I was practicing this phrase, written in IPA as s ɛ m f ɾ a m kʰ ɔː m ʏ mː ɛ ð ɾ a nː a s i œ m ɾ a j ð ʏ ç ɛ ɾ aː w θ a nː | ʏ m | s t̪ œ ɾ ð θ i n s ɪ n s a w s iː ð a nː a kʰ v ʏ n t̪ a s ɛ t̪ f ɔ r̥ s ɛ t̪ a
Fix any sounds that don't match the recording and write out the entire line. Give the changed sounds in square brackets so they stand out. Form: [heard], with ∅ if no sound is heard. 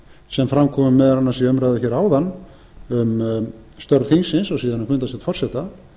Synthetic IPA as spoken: s ɛ m f ɾ a m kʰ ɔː m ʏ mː ɛ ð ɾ a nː a s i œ m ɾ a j ð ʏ ç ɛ ɾ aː w [ð] a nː | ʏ m | s t̪ œ ɾ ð θ i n s ɪ n s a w s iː ð a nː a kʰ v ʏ n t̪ a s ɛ t̪ f ɔ r̥ s ɛ t̪ a